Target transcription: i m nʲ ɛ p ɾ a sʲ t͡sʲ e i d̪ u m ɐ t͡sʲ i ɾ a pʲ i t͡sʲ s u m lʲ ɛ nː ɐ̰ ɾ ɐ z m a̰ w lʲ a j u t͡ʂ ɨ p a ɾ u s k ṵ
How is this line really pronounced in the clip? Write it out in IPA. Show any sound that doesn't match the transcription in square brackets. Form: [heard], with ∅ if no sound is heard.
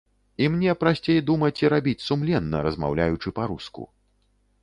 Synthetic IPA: i m nʲ ɛ p ɾ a sʲ t͡sʲ e [j] d̪ u m ɐ t͡sʲ i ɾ a [bʲ] i t͡sʲ s u m lʲ ɛ nː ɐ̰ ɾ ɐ z m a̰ w lʲ a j u t͡ʂ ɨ p a ɾ u s k ṵ